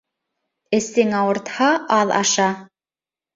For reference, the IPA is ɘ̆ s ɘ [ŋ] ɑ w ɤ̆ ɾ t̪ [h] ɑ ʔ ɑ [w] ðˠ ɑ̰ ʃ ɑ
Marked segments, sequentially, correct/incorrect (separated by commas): correct, correct, incorrect